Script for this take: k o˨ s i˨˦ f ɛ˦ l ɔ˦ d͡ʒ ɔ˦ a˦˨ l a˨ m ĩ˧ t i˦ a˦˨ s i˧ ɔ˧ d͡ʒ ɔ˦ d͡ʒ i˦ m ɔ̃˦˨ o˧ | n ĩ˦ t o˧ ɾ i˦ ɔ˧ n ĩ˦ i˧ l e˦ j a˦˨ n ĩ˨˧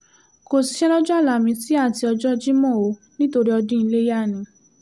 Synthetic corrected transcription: k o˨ s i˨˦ ʃ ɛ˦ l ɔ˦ d͡ʒ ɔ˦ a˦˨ l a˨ m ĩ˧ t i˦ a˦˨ t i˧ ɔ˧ d͡ʒ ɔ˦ d͡ʒ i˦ m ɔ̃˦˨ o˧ | n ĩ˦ t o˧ ɾ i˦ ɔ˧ d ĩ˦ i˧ l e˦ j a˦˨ n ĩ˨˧